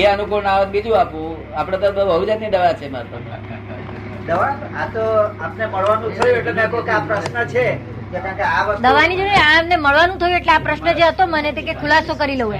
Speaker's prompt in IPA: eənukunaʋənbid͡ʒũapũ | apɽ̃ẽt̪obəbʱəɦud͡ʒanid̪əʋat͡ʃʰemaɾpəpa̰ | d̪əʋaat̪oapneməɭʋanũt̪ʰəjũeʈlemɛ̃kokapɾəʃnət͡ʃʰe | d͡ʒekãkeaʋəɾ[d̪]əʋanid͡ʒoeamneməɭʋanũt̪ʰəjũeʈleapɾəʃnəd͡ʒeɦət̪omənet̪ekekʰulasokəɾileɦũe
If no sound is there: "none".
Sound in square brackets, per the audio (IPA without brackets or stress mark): d̪